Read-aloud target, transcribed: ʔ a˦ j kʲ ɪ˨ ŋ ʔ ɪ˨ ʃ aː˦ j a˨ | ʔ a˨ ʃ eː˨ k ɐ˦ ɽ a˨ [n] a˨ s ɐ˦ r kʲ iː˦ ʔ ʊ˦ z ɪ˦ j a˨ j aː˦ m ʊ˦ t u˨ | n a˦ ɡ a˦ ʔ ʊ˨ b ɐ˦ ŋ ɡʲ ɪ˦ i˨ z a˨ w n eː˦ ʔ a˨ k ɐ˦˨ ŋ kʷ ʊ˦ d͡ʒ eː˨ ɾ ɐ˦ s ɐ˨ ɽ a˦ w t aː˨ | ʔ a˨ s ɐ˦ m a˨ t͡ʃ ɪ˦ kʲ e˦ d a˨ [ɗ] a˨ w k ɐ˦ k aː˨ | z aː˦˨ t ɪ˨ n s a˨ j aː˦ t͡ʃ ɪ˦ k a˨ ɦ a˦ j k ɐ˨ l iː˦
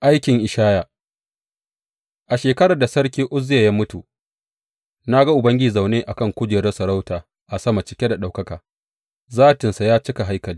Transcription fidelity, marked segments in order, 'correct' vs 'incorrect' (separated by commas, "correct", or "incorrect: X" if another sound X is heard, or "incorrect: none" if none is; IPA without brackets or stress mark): incorrect: d, correct